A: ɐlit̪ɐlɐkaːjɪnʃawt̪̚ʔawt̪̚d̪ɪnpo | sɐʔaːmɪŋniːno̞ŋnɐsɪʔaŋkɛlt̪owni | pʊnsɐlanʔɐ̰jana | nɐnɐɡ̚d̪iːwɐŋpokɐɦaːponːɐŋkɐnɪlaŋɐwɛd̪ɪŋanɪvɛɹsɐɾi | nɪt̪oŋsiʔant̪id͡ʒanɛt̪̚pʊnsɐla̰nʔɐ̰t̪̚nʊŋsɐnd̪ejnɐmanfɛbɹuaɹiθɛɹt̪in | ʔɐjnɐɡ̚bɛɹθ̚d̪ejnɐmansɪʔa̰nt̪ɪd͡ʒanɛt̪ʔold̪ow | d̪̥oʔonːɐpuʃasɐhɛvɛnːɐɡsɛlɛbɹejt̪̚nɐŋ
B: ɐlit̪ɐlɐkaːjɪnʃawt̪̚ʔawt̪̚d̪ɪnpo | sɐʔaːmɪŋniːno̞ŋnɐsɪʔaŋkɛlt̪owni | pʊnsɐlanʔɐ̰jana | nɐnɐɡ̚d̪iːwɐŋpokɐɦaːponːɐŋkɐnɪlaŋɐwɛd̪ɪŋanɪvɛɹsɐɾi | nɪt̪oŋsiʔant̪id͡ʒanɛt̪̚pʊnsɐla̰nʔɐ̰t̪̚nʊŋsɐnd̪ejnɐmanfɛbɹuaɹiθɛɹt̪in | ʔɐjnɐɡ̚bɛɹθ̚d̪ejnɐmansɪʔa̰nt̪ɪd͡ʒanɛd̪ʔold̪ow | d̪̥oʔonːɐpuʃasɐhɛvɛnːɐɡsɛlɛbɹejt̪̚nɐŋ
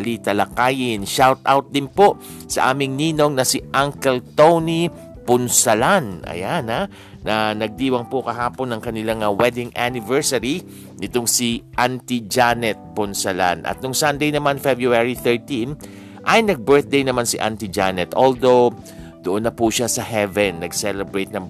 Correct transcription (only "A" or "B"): A